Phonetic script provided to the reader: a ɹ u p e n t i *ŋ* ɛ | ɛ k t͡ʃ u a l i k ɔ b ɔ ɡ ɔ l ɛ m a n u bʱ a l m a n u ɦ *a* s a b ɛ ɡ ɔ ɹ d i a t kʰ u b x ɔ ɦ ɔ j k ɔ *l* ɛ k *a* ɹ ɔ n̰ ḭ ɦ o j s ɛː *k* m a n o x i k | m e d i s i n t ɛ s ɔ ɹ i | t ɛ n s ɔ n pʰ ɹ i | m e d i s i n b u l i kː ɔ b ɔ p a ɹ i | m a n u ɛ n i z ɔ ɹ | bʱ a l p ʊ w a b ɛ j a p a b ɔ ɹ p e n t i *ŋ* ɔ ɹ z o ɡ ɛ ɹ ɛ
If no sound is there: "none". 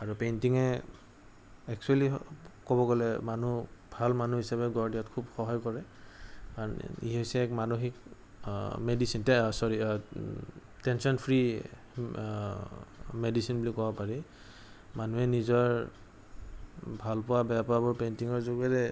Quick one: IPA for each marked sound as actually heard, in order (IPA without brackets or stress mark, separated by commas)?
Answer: ŋ, i, ɹ, a, k, ŋ